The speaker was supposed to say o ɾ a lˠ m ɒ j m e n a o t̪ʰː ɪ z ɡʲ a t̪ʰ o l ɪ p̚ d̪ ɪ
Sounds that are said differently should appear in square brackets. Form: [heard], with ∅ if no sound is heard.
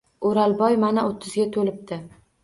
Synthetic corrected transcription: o ɾ a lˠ [b] ɒ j m [a] n a o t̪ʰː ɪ z ɡʲ a t̪ʰ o l ɪ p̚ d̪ ɪ